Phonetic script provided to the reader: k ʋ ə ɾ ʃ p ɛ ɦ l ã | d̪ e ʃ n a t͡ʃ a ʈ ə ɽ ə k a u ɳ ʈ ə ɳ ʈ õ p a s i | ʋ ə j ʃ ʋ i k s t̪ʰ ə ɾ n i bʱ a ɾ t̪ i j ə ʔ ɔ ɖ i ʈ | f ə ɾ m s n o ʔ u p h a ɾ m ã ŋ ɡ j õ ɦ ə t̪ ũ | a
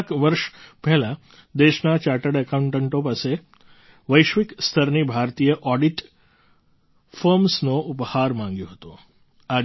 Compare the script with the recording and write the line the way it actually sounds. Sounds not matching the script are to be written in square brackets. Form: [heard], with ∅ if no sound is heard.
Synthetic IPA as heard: k ʋ ə ɾ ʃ p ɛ ɦ l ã | d̪ e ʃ n a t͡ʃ a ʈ ə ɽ ə k a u ɳ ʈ ə ɳ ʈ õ p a s [e] | ʋ ə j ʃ ʋ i k s t̪ʰ ə ɾ n i bʱ a ɾ t̪ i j ə ʔ ɔ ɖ i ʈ | f ə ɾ m s n o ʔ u p h a ɾ m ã ŋ ɡ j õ ɦ ə t̪ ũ | a